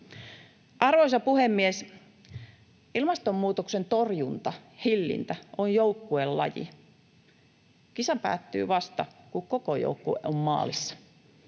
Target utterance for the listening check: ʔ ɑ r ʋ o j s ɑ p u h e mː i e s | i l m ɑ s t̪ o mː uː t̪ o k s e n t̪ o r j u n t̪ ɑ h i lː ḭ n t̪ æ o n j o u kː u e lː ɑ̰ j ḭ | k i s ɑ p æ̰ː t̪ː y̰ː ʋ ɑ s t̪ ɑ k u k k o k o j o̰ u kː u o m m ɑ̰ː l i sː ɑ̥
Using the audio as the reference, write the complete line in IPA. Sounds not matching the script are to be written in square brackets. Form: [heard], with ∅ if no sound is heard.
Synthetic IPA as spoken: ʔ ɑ r ʋ o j s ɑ p u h e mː i e s | i l m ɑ s t̪ o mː uː t̪ o k s e n t̪ o r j u n t̪ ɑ h i lː ḭ n t̪ æ o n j o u kː u e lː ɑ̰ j ḭ | k i s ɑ p æ̰ː t̪ː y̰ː ʋ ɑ s t̪ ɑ k u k k o k o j o̰ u kː u o m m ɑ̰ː l i sː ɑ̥